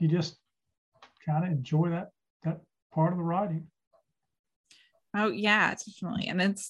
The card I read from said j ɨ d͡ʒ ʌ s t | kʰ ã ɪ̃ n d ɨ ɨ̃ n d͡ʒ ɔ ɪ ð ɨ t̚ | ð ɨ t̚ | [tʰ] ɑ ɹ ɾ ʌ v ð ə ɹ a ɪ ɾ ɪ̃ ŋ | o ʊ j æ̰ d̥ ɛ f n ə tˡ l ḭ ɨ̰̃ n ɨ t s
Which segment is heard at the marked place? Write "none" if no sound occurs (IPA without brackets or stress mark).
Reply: pʰ